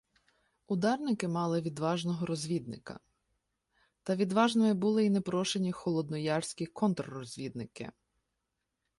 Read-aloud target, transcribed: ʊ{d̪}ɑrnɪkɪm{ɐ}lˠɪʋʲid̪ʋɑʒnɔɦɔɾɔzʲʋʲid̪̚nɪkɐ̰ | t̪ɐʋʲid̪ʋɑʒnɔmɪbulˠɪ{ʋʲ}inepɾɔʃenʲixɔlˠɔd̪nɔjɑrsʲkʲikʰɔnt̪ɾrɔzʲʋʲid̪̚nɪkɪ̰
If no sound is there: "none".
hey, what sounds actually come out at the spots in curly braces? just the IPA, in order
d̪, ɑ, none

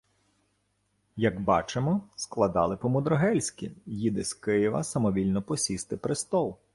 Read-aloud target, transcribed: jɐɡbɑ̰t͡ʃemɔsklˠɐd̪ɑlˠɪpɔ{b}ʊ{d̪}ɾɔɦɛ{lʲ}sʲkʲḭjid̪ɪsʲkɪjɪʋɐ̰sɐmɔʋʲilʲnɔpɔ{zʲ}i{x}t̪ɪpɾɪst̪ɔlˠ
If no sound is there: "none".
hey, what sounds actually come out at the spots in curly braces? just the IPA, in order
m, d̪, lʲ, sʲ, s

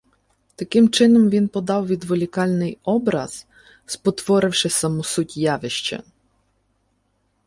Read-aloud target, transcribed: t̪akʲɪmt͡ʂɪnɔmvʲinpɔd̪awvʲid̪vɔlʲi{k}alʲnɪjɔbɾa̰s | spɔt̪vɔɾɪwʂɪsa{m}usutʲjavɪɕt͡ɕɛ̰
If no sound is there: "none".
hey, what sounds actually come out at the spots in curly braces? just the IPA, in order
k, m

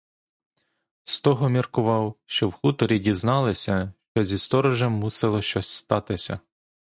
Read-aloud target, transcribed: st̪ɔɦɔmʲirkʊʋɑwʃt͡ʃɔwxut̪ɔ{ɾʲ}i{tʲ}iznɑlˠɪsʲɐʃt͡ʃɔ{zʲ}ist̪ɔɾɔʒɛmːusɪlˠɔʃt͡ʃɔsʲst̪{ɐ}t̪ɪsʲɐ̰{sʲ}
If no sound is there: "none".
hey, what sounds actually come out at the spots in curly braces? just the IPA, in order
ɾʲ, dʲ, zʲ, ɑ, none

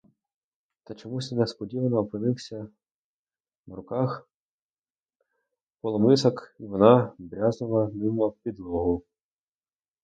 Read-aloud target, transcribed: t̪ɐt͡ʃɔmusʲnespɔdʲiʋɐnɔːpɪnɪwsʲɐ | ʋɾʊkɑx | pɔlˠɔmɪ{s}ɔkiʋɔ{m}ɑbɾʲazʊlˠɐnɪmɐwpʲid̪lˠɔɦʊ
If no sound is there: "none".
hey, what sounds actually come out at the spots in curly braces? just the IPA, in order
s, n

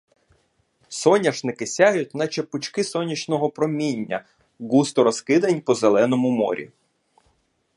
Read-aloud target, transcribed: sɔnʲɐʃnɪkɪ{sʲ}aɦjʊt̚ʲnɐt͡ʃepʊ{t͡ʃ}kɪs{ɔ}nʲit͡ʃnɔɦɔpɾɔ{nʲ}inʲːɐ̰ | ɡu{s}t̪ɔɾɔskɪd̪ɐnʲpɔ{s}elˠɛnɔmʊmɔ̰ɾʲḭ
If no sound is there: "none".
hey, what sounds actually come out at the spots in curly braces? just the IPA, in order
sʲ, t͡ʃ, ɔ, mʲ, s, z

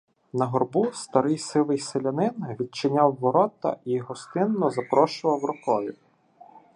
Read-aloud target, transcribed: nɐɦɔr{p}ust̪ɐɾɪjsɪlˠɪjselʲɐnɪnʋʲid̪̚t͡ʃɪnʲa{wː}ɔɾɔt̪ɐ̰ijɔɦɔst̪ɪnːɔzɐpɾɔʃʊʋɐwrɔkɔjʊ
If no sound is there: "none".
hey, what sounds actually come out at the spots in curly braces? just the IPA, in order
b, wː

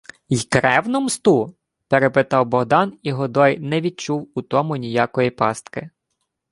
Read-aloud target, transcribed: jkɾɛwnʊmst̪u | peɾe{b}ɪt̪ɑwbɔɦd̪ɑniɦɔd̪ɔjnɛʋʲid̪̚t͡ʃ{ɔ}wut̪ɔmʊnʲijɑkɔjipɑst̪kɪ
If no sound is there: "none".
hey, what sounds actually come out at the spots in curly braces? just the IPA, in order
p, u

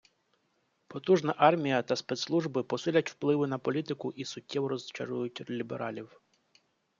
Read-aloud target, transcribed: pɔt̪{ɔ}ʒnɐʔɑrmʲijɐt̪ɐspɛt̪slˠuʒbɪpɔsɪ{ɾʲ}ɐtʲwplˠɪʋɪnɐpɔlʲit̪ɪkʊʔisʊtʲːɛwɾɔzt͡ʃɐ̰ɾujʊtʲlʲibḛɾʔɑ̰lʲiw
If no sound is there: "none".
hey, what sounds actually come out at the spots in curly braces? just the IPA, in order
u, lʲ

